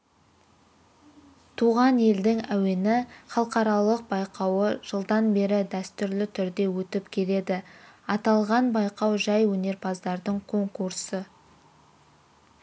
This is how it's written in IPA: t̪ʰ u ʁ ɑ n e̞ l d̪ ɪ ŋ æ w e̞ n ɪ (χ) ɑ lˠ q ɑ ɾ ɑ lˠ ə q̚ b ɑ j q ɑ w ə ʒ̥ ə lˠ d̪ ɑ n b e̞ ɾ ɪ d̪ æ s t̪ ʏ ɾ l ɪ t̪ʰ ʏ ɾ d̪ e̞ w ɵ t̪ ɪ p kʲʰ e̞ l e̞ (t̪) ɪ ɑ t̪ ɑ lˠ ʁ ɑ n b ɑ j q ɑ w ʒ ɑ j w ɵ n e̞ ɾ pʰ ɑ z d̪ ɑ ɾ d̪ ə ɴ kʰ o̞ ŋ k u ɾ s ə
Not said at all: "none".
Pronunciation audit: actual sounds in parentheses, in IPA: χ, d̪

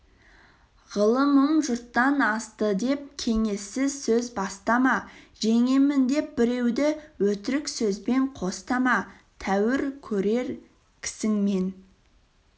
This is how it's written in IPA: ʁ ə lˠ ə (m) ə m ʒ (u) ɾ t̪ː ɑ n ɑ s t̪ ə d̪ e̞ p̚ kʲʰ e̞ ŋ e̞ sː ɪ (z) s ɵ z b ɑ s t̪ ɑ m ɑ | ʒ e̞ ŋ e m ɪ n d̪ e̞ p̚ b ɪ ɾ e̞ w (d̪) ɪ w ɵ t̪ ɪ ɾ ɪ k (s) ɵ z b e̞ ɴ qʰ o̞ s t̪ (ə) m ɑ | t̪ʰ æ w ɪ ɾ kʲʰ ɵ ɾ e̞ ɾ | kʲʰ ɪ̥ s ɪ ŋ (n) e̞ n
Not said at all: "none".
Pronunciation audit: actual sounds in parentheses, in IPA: m, ʊ, z, d̪, s, ɑ, m

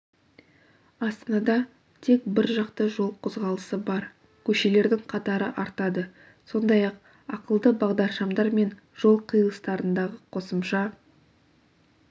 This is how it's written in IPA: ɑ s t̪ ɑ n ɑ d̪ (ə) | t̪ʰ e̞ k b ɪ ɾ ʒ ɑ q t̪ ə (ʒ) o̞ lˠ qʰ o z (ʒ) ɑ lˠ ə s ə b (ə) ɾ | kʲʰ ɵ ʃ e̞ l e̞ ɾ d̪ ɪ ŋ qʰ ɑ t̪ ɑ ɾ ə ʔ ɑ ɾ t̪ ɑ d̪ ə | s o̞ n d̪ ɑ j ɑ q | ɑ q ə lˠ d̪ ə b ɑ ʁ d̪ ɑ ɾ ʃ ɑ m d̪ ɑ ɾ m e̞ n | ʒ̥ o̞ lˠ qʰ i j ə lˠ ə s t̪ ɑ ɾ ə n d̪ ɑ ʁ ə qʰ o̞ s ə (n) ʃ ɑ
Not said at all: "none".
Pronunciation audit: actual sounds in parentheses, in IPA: ɑ, ʒ, ʁ, ɑ, m

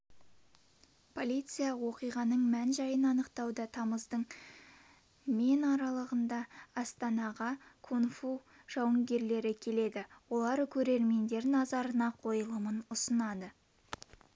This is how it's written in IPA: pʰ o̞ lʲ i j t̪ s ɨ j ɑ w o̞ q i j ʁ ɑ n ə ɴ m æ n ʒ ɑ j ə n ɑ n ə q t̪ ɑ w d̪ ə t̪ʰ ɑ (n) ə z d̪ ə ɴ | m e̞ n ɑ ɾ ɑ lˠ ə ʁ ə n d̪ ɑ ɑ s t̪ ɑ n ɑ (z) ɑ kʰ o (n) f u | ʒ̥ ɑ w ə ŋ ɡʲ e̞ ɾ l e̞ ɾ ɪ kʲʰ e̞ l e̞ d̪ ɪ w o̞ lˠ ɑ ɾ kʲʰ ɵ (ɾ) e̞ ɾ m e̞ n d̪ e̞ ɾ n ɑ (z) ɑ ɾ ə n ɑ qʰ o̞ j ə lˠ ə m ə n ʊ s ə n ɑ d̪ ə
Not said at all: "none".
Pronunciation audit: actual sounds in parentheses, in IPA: m, ʁ, n, ɾ, z

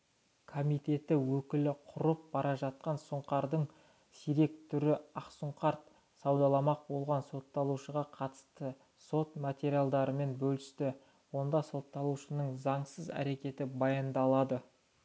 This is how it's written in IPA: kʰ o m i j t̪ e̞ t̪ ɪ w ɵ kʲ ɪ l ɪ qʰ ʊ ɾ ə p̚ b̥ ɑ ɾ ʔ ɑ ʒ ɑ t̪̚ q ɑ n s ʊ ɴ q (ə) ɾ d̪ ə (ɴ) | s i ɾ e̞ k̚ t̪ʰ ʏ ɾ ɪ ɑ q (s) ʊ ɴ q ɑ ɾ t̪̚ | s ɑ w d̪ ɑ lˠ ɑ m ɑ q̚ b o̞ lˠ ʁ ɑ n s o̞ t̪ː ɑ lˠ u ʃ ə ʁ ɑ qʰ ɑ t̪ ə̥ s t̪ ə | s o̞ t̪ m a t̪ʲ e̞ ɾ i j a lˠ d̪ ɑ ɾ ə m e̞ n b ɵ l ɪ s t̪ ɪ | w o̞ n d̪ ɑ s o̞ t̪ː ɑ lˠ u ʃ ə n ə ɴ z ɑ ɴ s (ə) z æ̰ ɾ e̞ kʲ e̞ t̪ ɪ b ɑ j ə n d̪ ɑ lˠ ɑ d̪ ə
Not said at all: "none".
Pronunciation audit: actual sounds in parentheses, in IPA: ɑ, ɴ, s, ə

